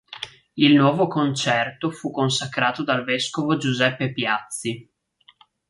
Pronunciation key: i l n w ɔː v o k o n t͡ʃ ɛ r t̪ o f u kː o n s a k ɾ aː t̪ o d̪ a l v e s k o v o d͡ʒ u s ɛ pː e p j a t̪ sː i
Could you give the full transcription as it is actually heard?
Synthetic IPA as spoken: i l n w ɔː v o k o n t͡ʃ ɛ r t̪ o f u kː o n s a k ɾ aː t̪ o d̪ a l v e s k o v o d͡ʒ u z ɛ pː e p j a t̪ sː i

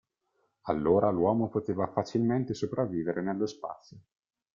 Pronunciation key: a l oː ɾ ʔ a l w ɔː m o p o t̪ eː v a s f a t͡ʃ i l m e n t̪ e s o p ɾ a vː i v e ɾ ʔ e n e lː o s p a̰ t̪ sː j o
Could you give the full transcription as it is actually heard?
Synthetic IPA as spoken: a lː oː ɾ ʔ a l w ɔː m o p o t̪ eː v a f a t͡ʃ i l m e n t̪ e s o p ɾ a vː iː v e ɾ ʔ e n e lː o s p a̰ t̪ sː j o

